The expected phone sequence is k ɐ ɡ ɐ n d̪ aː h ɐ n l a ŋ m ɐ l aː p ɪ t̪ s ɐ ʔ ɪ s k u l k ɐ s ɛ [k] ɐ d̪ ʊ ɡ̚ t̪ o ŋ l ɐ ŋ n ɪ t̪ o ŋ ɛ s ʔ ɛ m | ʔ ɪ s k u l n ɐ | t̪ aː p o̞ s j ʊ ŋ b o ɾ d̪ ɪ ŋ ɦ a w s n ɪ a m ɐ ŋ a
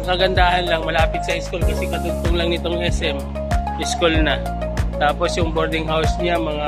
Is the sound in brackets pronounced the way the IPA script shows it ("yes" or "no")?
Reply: yes